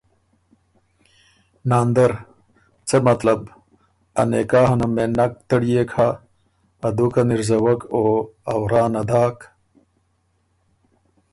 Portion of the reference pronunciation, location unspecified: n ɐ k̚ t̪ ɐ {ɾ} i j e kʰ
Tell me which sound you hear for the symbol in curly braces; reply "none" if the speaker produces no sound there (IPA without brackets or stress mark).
ɽ